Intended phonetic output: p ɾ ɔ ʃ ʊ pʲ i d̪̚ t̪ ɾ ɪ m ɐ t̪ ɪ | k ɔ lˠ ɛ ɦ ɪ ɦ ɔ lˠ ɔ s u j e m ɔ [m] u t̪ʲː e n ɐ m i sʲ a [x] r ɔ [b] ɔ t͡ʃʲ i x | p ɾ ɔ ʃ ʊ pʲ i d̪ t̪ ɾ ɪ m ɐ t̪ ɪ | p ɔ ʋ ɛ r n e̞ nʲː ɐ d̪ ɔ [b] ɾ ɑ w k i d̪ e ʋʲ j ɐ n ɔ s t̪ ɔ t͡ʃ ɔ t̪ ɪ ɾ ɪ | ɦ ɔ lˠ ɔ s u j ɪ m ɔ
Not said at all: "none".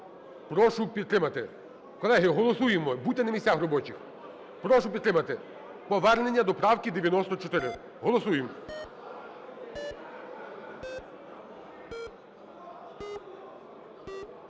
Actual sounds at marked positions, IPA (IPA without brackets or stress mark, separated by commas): b, x, b, p